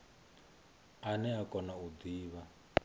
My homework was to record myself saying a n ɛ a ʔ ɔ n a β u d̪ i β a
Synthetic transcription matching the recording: a n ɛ a k ɔ n a u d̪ iː β a